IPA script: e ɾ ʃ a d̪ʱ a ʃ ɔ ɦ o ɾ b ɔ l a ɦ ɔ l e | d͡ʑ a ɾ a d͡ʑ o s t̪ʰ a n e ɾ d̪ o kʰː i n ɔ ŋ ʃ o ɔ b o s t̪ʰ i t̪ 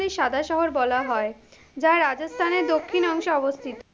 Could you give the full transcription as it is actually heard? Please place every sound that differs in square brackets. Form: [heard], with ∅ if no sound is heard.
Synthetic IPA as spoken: e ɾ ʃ a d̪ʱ a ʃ ɔ ɦ o ɾ b ɔ l a ɦ ɔ [∅] e | d͡ʑ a ɾ a d͡ʑ o s t̪ʰ a n e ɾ d̪ o kʰː i n ɔ ŋ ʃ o ɔ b o s t̪ʰ i t̪